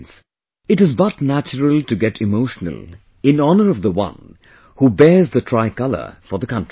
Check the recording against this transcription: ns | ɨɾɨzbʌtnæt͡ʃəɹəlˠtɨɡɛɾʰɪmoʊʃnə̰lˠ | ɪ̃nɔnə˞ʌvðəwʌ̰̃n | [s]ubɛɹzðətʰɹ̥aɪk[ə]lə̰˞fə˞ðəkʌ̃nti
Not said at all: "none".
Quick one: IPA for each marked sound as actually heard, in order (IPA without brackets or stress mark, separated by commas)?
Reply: h, ʌ